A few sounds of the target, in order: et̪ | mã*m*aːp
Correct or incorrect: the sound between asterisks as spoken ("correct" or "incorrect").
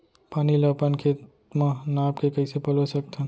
incorrect